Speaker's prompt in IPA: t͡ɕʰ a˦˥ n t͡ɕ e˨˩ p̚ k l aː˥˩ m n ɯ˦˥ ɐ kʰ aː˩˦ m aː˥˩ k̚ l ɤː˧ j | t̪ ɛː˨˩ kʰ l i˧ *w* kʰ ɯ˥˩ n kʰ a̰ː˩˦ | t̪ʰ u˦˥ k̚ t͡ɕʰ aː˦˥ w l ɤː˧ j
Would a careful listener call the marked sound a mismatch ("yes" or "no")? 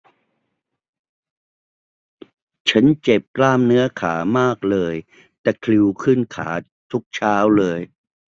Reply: no